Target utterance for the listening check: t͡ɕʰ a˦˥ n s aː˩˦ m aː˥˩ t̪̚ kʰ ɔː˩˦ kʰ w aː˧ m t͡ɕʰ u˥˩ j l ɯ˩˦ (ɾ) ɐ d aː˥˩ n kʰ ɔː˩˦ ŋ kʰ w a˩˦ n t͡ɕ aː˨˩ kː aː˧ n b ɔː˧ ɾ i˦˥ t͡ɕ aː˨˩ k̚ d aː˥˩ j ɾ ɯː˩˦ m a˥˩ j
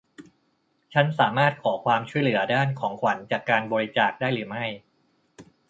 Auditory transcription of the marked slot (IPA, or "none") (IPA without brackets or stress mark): none